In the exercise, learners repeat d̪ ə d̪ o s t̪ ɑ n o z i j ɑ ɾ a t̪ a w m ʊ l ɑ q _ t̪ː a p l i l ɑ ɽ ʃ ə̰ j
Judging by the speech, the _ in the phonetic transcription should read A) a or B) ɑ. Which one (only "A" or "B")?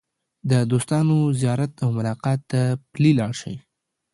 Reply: B